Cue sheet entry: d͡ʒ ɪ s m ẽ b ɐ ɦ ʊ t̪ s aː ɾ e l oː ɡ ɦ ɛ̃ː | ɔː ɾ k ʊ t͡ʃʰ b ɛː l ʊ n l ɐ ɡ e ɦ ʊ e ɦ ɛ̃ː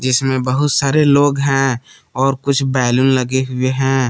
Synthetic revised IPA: d͡ʒ ɪ s m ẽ b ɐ ɦ ʊ t̪ s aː ɾ e l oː ɡ ɦ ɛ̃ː | ɔː ɾ k ʊ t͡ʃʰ b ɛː l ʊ n l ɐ ɡ e ɦ ʊ e ɦ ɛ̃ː